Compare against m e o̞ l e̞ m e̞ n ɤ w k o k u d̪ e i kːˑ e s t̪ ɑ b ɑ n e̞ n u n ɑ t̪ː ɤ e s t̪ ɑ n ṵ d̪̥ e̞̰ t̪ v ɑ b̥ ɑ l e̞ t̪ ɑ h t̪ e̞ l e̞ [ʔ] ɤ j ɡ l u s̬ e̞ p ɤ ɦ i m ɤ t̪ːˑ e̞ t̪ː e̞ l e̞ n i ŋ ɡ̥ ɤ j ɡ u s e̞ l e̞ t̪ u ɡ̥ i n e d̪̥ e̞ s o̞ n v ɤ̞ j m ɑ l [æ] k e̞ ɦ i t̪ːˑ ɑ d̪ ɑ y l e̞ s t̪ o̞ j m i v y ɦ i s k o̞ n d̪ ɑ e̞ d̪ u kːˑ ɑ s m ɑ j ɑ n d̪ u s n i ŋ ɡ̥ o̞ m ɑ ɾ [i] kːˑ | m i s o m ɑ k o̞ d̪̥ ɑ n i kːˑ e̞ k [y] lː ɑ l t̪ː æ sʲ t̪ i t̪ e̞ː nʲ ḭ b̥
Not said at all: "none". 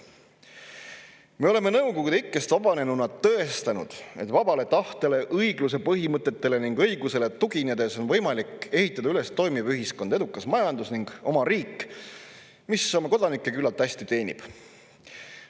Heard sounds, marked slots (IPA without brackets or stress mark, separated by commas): ʔ, i, iː, y